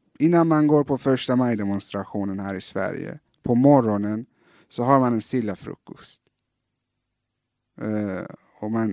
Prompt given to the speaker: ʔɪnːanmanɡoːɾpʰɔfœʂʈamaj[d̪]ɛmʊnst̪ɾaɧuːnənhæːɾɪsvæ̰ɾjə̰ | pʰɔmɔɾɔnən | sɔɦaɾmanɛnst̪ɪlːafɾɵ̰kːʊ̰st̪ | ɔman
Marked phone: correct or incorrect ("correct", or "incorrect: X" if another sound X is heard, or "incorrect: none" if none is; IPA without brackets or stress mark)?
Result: correct